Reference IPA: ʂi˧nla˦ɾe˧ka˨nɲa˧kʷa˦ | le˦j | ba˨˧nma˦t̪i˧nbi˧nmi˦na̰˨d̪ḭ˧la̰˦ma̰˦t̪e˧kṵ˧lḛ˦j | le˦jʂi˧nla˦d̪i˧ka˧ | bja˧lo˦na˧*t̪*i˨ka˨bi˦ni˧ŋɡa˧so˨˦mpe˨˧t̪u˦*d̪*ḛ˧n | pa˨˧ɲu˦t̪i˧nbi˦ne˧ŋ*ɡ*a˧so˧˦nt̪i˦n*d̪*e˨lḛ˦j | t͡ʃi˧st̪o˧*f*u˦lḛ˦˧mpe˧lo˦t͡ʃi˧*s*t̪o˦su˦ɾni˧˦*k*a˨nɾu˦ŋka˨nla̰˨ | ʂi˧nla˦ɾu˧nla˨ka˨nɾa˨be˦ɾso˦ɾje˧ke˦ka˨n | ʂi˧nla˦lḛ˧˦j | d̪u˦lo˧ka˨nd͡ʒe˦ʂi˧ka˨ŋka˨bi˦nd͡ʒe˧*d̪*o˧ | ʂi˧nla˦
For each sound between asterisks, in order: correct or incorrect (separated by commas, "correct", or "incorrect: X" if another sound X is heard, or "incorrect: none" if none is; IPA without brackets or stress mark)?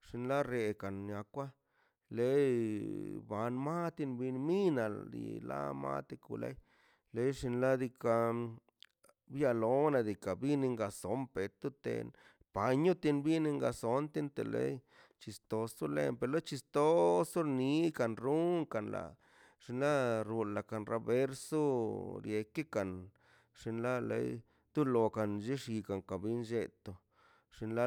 incorrect: d̪, incorrect: t̪, correct, incorrect: t̪, incorrect: s, correct, correct, incorrect: t̪